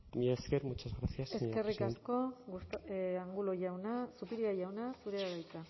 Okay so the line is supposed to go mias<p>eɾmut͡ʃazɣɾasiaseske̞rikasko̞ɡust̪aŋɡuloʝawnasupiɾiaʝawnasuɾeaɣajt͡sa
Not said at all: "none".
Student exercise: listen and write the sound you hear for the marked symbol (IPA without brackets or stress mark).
k